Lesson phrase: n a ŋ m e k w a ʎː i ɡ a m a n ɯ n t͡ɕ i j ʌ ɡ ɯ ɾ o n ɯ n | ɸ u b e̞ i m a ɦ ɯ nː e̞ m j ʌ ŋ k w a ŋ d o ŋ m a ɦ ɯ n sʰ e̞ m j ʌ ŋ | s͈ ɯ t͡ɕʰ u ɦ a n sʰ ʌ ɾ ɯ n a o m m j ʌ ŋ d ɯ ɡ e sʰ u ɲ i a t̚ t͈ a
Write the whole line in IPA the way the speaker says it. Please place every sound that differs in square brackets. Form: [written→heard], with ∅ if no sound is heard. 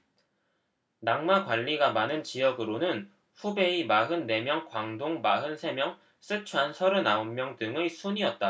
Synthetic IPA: n a ŋ m [e→a] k w a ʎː i ɡ a m a n ɯ n t͡ɕ i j ʌ ɡ ɯ ɾ o n ɯ n | ɸ u b e̞ i m a ɦ ɯ nː e̞ m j ʌ ŋ k w a ŋ d o ŋ m a ɦ ɯ n sʰ e̞ m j ʌ ŋ | s͈ ɯ t͡ɕʰ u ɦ a n sʰ ʌ ɾ ɯ n a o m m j ʌ ŋ d ɯ [ɡ→ŋ] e sʰ u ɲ i [a→ʌ] t̚ t͈ a

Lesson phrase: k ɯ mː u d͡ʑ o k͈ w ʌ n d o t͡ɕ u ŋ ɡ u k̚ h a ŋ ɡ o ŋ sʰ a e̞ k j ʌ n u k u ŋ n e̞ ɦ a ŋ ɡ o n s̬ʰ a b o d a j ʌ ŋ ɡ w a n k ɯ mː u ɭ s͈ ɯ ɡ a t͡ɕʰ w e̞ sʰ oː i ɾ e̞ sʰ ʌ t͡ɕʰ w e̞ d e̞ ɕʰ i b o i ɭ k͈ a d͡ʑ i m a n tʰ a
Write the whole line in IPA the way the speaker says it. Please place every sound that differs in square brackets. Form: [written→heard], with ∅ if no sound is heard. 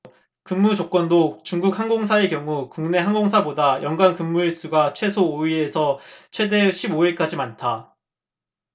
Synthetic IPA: k ɯ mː u d͡ʑ o k͈ w ʌ n d o t͡ɕ u ŋ ɡ u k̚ h a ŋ ɡ o ŋ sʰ a e̞ k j ʌ [n→ŋ] u k u ŋ n e̞ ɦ a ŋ ɡ o [n→ŋ] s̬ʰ a b o d a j ʌ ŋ ɡ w a n k ɯ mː u ɭ s͈ [ɯ→u] ɡ a t͡ɕʰ w e̞ sʰ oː i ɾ e̞ sʰ ʌ t͡ɕʰ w e̞ d e̞ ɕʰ i b o i ɭ k͈ a d͡ʑ i m a n tʰ a

